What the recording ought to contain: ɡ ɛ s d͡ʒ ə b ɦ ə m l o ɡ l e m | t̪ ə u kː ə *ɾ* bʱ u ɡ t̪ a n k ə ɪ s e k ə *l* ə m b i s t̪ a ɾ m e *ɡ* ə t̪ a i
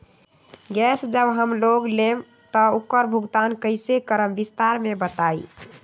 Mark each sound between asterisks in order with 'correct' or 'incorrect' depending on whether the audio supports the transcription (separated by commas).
correct, incorrect, incorrect